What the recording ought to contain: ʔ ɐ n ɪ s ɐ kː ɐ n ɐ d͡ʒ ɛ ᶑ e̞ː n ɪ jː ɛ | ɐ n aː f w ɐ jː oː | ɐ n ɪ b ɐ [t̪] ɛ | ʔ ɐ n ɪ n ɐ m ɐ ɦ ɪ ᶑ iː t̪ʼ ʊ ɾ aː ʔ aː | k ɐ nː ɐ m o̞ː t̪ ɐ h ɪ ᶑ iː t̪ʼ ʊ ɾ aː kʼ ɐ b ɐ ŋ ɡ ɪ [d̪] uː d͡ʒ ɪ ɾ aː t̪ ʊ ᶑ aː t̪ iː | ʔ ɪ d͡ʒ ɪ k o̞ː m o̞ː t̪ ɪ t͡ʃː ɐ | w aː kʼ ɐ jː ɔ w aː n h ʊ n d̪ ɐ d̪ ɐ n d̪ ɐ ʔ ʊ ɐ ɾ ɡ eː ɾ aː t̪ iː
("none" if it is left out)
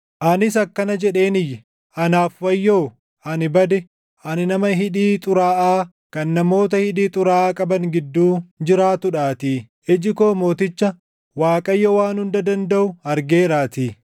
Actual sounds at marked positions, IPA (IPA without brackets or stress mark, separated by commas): d̪, d̪ː